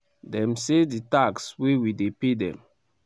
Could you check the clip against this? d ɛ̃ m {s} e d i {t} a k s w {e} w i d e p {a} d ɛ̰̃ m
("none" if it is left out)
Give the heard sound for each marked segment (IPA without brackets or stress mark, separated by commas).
s, t, e, e